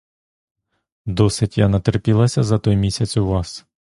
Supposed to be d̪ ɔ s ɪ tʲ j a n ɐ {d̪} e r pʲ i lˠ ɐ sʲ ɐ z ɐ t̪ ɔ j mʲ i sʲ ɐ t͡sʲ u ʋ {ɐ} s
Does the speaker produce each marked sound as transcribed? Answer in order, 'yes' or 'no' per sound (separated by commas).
no, no